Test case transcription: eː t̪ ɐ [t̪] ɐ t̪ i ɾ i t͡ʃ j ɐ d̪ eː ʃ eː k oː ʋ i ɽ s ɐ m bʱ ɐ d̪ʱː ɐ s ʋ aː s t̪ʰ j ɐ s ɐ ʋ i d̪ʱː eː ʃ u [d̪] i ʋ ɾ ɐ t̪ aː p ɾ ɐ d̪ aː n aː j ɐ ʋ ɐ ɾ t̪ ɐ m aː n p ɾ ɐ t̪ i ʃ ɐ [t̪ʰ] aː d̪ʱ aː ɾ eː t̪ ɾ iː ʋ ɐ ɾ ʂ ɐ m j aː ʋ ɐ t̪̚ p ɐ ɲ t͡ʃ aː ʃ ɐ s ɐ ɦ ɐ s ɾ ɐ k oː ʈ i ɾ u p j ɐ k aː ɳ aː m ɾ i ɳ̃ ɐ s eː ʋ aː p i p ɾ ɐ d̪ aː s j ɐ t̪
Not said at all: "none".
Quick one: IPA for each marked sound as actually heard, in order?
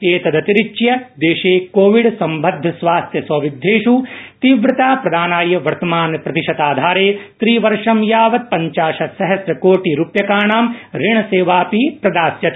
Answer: d̪, t̪, t̪

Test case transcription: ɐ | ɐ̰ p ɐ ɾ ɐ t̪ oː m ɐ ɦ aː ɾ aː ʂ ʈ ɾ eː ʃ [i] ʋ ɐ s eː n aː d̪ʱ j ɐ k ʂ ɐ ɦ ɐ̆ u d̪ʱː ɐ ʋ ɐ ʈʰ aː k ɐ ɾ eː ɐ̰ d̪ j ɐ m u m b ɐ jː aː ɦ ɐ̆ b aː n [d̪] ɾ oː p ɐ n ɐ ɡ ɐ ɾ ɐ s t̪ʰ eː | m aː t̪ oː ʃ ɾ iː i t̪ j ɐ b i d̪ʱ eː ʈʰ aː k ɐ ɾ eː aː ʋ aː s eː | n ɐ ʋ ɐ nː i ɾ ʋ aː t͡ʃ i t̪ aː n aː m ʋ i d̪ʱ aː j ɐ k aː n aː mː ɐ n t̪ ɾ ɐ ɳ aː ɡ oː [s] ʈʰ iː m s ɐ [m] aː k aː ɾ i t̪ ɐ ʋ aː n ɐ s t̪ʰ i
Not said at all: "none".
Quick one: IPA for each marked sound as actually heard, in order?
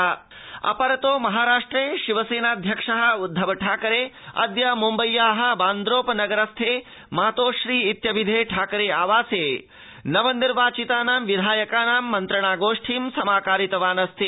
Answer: i, d̪, ʂ, m

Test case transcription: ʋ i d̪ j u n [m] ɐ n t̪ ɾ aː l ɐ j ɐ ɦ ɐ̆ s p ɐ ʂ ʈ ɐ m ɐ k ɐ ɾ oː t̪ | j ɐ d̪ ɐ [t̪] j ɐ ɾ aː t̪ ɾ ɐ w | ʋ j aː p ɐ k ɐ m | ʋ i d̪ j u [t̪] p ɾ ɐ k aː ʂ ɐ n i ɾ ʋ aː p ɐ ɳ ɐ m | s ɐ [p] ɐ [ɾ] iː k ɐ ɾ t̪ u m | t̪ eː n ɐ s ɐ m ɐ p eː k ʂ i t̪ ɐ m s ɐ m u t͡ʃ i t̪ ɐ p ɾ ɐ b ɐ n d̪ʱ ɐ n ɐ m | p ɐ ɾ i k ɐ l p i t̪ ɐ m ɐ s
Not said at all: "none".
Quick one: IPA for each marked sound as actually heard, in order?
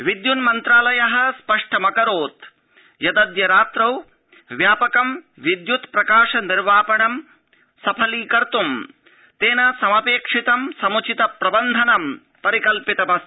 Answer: m, d̪, t̪, pʰ, l

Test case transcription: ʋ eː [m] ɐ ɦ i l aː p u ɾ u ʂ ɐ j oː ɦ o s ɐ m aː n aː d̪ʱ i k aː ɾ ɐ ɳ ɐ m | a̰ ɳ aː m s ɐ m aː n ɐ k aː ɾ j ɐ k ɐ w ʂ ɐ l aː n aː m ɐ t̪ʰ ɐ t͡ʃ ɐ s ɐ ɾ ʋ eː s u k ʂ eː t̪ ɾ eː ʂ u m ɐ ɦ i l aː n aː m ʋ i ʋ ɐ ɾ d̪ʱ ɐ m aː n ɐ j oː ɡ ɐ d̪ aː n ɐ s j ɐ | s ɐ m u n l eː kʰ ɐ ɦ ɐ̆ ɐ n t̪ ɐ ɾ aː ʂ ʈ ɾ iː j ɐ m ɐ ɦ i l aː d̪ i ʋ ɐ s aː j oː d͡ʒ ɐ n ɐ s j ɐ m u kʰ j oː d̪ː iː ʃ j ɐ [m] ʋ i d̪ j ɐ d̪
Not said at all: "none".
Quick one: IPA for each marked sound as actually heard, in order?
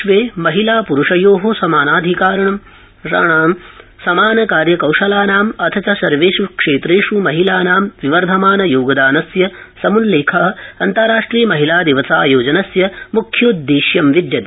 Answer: m, m

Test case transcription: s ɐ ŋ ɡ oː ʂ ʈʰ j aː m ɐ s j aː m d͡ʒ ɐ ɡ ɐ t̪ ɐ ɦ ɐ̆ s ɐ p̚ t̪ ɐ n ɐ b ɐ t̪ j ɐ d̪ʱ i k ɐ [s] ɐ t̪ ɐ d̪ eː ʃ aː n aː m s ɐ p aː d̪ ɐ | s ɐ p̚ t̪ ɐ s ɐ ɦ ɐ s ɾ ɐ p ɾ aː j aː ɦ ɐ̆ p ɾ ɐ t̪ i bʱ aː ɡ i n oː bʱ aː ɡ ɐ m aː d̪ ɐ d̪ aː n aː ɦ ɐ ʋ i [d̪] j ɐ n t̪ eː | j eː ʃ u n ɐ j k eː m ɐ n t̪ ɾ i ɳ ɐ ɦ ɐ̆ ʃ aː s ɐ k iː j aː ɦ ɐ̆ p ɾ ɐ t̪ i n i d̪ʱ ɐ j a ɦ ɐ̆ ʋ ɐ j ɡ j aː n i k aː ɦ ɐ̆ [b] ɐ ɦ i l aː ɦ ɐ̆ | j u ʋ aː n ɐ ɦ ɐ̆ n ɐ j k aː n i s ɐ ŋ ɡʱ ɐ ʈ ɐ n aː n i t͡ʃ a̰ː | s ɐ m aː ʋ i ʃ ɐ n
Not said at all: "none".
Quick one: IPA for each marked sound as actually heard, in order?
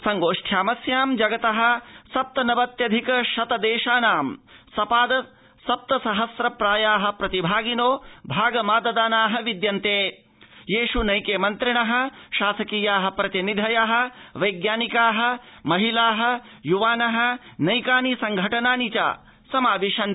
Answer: ʃ, d̪, m

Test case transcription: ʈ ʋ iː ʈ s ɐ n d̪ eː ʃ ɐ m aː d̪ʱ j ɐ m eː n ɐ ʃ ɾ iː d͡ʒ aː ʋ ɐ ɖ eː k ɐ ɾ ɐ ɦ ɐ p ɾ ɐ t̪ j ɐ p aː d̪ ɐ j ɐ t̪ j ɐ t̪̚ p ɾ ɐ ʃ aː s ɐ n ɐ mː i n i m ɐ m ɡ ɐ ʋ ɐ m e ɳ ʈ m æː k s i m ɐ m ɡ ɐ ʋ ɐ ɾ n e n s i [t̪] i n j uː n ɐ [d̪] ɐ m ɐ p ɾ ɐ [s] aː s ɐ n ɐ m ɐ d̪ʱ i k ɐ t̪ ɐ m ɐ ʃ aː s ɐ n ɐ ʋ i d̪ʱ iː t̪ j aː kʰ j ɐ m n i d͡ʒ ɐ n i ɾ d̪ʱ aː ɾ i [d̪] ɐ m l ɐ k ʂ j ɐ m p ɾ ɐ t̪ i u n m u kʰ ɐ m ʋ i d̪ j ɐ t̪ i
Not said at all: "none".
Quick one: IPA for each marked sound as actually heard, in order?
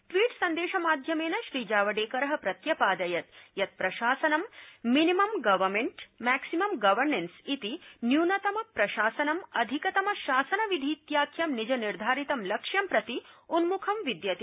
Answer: t̪, t̪, ʃ, t̪

